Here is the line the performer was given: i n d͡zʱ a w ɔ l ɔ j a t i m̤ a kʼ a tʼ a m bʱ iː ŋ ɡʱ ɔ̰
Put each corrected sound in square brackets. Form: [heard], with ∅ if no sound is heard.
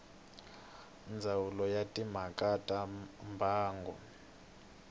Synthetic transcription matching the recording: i n d͡zʱ a w [u] l ɔ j a [tʼ] i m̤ a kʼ a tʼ a m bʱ [aː] ŋ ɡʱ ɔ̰